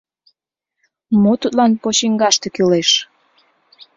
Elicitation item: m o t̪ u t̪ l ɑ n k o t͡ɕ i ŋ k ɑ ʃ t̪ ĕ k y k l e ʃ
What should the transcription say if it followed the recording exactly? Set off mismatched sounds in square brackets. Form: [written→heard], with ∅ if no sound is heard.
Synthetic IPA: m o t̪ u t̪ l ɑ n [k→p] o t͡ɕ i ŋ [k→ɡ] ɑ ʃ t̪ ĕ k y [k→∅] l e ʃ